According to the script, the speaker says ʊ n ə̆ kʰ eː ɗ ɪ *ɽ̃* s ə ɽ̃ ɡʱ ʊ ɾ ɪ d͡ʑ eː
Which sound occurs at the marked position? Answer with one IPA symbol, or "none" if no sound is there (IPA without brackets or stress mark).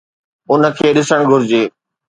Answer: none